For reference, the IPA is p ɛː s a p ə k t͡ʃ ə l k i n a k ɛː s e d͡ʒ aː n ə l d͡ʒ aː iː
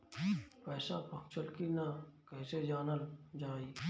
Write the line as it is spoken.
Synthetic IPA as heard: p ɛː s a p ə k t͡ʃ ə l k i n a k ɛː s e d͡ʒ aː n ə l d͡ʒ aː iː

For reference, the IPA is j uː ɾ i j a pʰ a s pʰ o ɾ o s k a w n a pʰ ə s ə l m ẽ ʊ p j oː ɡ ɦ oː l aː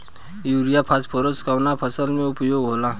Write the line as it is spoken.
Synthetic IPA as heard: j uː ɾ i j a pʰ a s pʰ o ɾ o s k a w n a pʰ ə s ə l m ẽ ʊ p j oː ɡ ɦ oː l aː

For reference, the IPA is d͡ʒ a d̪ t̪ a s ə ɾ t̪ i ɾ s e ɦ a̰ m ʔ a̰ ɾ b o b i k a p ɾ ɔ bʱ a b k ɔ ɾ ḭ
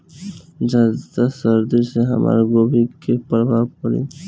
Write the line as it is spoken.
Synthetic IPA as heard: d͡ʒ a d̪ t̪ a s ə ɾ d̪ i ɾ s e ɦ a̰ m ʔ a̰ ɾ ɡ o b i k e p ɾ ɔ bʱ a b k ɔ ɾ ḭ

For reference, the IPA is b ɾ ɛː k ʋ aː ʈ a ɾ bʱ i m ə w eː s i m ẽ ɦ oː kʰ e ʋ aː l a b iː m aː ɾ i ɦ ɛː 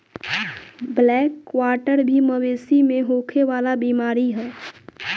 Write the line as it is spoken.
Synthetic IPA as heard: b l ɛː k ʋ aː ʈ ə ɾ bʱ i m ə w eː s i m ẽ ɦ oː kʰ e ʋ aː l a b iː m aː ɾ i ɦ ɛː

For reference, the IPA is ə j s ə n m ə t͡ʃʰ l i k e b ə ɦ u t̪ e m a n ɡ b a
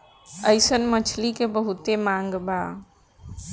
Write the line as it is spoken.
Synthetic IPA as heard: ə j s ə n m ə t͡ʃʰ l i k e b ə ɦ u t̪ e m a ŋ ɡ b a

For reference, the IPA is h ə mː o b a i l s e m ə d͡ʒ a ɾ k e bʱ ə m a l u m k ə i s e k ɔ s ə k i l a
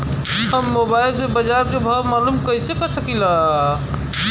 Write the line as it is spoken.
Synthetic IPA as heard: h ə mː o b a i l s e b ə d͡ʒ a ɾ k e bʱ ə m a l u m k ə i s e k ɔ s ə k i l a

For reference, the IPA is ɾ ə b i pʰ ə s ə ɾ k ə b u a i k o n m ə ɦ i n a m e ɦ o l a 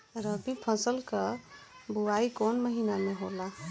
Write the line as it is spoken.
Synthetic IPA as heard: ɾ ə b i pʰ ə s ə l k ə b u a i k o n m ə ɦ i n a m e ɦ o l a

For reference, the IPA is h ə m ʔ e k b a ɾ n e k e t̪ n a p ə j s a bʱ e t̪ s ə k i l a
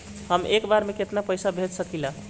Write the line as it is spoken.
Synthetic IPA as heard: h ə m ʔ e k b a ɾ m e k e t̪ n a p ə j s a bʱ e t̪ s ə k i l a

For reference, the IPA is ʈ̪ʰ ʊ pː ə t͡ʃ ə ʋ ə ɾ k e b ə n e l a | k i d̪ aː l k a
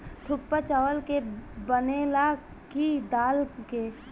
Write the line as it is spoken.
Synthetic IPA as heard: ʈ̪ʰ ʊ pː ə t͡ʃ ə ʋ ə l k e b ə n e l a | k i d̪ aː l k e

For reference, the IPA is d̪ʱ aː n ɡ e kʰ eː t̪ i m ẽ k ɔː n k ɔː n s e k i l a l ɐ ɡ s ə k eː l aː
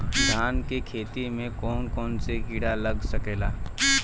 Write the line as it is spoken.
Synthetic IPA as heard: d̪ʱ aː n k e kʰ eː t̪ i m ẽ k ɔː n k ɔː n s e ɡ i ɽ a l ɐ ɡ s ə k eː l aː

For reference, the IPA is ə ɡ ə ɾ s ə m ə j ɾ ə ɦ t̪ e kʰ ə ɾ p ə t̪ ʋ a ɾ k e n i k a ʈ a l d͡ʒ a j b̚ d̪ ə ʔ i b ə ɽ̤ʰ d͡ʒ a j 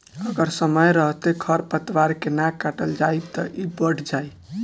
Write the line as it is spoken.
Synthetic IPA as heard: ə ɡ ə ɾ s ə m ə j ɾ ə ɦ t̪ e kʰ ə ɾ p ə t̪ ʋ a ɾ k e n a k a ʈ ə l d͡ʒ a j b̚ t̪ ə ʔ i b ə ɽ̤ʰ d͡ʒ a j

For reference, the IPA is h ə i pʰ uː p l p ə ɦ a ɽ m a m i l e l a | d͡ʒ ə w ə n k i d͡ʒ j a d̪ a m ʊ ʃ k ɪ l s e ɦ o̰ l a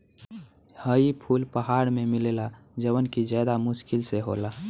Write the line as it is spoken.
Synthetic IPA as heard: h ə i pʰ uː l p ə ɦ a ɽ m e m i l e l a | d͡ʒ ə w ə n k i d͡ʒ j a d̪ a m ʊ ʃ k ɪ l s e ɦ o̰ l a

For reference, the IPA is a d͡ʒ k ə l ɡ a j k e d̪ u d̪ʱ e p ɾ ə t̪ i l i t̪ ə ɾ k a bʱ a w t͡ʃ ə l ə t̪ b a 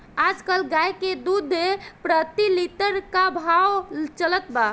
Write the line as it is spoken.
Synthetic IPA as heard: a d͡ʒ k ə l ɡ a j k e d̪ u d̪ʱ e p ɾ ə t̪ i l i t̪ ə ɾ k a bʱ a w t͡ʃ ə l ə t̪ b a

